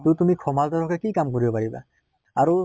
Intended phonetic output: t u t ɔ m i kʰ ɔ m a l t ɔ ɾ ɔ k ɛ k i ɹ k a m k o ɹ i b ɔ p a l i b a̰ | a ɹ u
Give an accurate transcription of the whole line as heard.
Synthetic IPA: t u t u m i kʰ ɔ m a l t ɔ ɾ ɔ k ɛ k i k a m k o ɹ i b ɔ p a ɹ i b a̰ | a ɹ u